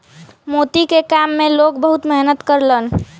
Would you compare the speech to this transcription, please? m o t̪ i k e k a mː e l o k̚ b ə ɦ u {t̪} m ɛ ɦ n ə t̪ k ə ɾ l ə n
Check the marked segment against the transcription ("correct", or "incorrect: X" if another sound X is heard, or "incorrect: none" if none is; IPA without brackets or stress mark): correct